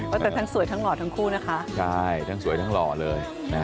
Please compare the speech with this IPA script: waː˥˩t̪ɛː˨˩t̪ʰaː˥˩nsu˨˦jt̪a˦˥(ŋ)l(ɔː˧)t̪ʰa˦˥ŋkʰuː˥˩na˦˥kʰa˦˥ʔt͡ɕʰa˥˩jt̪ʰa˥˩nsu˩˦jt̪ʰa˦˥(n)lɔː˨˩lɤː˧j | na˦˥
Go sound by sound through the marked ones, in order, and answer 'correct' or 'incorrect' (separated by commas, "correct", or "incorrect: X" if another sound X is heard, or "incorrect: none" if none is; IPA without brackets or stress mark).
correct, incorrect: ɔː˨˩, incorrect: ŋ